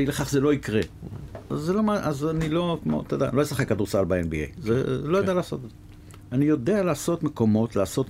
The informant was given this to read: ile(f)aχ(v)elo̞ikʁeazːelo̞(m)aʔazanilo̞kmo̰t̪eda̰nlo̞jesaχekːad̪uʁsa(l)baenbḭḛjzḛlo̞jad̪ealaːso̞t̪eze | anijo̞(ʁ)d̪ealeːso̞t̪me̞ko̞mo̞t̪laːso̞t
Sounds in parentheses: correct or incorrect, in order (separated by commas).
incorrect, incorrect, correct, correct, incorrect